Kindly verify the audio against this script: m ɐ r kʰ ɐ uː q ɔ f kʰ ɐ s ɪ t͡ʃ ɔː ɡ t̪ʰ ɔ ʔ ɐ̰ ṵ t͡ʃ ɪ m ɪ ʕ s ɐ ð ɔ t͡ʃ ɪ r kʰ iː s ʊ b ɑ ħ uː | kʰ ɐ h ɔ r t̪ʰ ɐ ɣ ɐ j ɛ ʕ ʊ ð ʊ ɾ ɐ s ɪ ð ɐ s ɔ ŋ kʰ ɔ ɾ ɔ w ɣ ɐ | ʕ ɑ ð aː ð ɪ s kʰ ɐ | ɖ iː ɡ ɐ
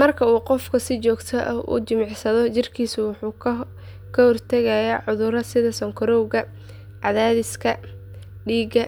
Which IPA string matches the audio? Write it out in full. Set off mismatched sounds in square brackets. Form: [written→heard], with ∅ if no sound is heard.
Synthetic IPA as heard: m ɐ r kʰ ɐ uː q ɔ f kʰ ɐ s ɪ t͡ʃ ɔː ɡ t̪ʰ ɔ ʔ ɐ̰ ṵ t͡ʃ ɪ m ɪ ʕ s ɐ ð ɔ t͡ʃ ɪ r kʰ iː s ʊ [b→w] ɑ ħ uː | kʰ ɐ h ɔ r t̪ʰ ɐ ɣ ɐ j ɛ ʕ ʊ ð ʊ ɾ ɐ s ɪ ð ɐ s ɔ ŋ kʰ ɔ ɾ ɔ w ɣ ɐ | ʕ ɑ ð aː ð ɪ s kʰ ɐ | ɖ iː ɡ ɐ